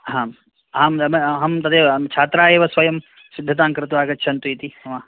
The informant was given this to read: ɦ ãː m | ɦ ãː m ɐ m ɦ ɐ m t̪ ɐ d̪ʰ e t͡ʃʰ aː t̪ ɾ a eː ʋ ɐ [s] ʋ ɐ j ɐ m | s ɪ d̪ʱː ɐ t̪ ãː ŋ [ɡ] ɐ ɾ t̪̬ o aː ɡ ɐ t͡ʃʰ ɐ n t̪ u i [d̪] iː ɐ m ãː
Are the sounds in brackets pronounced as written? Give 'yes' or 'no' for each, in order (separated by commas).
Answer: yes, no, no